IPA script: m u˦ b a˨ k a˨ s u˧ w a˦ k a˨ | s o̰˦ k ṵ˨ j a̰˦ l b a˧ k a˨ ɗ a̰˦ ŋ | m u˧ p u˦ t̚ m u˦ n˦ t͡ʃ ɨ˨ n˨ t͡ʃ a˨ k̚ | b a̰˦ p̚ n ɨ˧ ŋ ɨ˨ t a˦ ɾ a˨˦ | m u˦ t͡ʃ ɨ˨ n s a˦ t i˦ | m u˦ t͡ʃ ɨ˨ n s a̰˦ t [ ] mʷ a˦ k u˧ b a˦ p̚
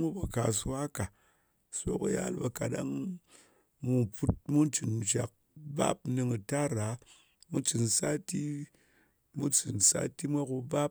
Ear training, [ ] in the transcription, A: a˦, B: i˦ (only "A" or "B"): B